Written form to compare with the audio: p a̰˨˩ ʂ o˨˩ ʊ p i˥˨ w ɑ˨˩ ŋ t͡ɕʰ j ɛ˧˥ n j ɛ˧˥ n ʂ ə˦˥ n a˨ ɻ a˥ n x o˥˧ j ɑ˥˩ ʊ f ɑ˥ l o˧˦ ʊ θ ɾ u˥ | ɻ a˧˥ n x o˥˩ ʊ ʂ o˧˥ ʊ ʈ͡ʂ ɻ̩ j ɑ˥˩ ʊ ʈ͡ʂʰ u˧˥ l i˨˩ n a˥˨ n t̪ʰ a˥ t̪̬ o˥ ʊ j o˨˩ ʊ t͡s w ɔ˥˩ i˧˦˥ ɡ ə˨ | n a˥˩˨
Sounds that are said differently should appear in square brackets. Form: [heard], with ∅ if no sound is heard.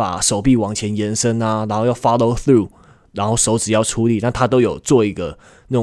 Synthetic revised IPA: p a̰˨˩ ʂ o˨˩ ʊ p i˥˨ w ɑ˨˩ ŋ t͡ɕʰ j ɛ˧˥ n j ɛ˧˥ n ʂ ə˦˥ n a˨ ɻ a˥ n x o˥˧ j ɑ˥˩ ʊ f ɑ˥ l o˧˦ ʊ θ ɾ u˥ | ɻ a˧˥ n x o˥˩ ʊ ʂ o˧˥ ʊ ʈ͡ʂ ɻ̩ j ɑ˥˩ ʊ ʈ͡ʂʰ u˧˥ l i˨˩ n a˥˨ n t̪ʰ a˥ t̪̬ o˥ ʊ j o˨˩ ʊ t͡s w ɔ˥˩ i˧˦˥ ɡ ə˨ | n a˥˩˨